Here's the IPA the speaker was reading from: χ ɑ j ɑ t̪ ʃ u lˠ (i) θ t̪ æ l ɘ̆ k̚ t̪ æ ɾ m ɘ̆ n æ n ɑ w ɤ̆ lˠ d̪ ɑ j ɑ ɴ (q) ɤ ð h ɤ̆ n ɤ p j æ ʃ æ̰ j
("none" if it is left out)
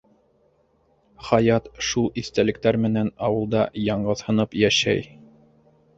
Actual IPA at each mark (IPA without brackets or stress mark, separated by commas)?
i, ɢ